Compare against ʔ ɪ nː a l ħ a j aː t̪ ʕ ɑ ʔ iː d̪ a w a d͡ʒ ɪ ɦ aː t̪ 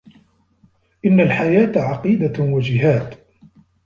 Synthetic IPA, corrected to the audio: ʔ ɪ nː a l ħ a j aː t̪ ʕ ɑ q iː d̪ a w a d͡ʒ ɪ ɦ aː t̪